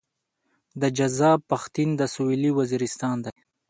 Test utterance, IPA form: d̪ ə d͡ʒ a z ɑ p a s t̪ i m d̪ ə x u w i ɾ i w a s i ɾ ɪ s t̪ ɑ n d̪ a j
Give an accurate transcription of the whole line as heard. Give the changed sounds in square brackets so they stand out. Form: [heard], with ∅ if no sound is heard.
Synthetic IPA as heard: d̪ ə d͡ʒ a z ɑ p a [x] t̪ i [n] d̪ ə [s] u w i [l] i w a [z] i ɾ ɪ s t̪ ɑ n d̪ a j